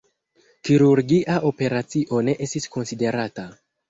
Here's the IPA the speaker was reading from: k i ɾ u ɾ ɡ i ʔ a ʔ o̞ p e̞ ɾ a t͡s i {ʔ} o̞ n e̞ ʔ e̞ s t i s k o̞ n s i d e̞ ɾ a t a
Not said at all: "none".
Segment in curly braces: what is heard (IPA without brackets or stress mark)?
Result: ʔ